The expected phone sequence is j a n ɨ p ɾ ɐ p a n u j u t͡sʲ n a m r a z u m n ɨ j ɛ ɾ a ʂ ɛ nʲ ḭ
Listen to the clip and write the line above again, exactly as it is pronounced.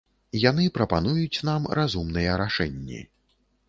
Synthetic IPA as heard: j a n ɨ p ɾ ɐ p a n u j u t͡sʲ n a m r a z u m n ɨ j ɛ ɾ a ʂ ɛ nʲː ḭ